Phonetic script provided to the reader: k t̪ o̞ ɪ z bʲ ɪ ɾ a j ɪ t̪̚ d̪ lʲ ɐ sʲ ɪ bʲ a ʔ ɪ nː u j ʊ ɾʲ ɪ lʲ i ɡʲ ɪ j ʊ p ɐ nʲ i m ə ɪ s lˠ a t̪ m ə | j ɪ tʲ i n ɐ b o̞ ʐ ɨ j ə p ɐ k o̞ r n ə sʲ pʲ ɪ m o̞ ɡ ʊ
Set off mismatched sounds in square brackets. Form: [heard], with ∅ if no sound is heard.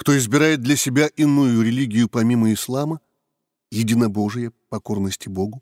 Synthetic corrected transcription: k t̪ o̞ ɪ z bʲ ɪ ɾ a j ɪ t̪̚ d̪ lʲ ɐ sʲ ɪ bʲ a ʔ ɪ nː u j ʊ ɾʲ ɪ lʲ i ɡʲ ɪ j ʊ p ɐ [mʲ] i m ə ɪ s lˠ a [∅] m ə | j ɪ [dʲ] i n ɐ b o̞ ʐ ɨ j ə p ɐ k o̞ r n ə sʲ [tʲ] ɪ [b] o̞ ɡ ʊ